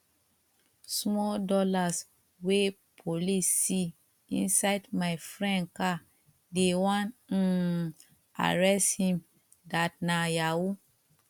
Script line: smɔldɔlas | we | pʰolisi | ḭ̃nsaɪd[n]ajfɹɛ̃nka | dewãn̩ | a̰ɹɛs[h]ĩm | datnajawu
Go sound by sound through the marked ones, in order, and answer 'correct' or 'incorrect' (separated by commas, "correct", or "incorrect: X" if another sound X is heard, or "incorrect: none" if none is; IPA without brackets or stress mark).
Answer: incorrect: m, correct